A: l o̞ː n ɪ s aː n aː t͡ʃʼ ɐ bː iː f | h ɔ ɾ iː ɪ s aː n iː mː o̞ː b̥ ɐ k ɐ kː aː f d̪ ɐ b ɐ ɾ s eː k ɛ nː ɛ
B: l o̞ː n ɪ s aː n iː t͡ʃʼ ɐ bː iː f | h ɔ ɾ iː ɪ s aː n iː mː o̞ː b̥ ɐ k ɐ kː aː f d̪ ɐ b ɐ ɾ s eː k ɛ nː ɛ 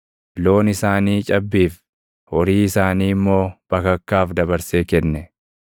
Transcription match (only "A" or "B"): B